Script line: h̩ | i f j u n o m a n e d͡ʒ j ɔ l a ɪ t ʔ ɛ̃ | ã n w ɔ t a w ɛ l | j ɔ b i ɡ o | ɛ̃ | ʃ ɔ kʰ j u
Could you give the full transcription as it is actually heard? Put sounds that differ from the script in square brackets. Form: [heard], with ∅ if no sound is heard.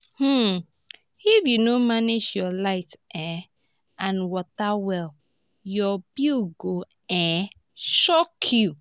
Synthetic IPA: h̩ | i f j u n o m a n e d͡ʒ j ɔ l a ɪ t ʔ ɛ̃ | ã n w ɔ t a w ɛ l | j ɔ b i ɡ o | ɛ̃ | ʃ ɔ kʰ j u